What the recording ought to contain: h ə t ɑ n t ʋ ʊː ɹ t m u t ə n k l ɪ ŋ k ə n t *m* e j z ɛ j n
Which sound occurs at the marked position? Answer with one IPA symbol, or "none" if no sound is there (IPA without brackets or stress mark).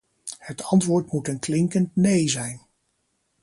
n